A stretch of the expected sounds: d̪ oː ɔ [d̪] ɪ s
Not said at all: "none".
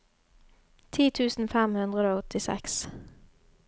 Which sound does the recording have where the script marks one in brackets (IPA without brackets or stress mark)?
t̪